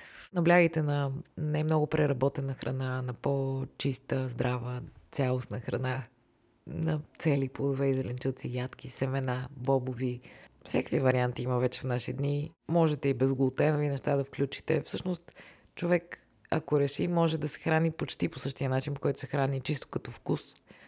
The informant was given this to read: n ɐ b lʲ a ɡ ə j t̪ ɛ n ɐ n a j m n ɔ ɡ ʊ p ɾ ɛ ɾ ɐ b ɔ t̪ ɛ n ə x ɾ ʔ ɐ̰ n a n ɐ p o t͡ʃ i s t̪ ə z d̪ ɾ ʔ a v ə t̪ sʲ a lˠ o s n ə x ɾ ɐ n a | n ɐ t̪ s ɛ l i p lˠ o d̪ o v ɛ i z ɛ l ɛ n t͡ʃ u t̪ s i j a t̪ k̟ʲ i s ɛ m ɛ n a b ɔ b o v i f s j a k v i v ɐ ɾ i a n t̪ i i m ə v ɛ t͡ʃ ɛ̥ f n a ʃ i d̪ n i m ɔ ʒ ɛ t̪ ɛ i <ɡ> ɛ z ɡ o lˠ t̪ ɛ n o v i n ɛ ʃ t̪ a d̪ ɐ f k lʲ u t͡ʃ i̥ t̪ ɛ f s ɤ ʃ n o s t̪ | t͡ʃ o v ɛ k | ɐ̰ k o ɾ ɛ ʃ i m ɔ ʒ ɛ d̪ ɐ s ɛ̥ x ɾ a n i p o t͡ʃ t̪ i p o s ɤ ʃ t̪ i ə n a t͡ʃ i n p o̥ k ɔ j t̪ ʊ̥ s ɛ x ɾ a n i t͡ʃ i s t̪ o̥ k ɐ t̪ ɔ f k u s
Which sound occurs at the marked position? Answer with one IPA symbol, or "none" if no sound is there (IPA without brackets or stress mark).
b